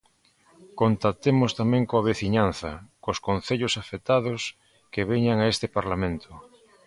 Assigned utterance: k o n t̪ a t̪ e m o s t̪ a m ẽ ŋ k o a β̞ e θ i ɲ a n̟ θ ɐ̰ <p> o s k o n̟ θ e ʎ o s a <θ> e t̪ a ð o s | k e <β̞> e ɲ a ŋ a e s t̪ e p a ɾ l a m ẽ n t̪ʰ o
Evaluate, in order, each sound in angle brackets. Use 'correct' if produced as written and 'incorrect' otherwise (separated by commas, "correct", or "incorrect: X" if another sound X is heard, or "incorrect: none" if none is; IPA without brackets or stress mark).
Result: incorrect: k, incorrect: f, correct